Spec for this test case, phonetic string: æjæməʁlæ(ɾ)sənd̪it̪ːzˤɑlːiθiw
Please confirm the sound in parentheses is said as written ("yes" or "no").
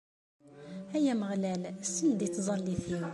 no